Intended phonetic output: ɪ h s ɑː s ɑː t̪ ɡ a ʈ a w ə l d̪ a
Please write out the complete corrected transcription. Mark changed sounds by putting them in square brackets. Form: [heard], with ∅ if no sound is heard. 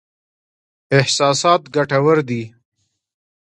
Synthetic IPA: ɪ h s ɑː s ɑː t̪ ɡ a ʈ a w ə [ɾ] d̪ [i]